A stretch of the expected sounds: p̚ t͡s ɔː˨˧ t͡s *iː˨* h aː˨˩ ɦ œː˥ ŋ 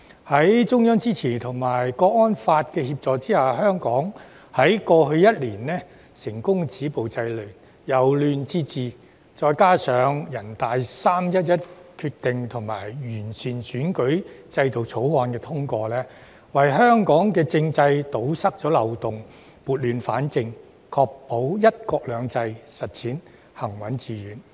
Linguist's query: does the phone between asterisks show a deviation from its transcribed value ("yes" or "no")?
yes